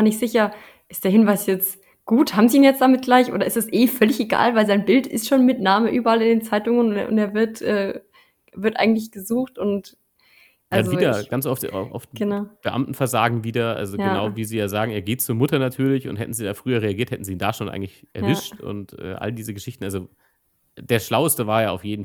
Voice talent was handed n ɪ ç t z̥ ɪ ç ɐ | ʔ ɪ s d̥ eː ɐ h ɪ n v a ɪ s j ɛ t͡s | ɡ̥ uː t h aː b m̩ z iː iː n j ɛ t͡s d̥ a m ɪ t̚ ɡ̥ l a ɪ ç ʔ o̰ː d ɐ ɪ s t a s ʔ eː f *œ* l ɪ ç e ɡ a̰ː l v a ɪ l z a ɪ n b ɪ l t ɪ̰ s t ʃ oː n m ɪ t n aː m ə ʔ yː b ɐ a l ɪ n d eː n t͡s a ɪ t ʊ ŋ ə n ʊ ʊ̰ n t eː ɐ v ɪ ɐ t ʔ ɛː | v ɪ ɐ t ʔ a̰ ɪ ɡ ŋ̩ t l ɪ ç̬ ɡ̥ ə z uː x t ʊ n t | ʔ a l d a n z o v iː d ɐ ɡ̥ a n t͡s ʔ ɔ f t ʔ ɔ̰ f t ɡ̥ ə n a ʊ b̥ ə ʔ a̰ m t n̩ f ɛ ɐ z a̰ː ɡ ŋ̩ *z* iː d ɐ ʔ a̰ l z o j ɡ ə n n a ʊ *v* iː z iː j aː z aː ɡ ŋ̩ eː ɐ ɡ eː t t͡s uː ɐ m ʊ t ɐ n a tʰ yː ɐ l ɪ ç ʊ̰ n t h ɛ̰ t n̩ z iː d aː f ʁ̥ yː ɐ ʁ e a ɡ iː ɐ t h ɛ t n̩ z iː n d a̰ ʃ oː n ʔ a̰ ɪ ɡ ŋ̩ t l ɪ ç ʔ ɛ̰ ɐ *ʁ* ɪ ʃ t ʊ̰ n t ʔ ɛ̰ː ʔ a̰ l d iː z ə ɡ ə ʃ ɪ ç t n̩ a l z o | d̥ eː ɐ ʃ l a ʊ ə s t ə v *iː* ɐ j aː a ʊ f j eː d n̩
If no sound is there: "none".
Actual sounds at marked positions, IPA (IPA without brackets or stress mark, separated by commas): œ, v, v, v, aː